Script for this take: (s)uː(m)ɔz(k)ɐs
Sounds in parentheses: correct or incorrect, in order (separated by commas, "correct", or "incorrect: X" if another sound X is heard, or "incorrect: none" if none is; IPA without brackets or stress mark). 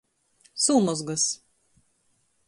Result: correct, correct, incorrect: ɡ